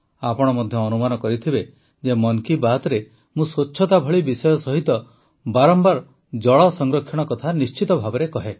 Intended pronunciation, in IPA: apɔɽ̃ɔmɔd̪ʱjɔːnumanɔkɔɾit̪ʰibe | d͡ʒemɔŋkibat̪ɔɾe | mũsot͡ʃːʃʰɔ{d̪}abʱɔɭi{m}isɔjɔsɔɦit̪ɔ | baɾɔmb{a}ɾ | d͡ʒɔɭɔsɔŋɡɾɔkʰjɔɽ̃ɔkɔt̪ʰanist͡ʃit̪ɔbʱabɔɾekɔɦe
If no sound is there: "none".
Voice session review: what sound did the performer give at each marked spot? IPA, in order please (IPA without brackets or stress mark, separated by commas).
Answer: t̪, b, a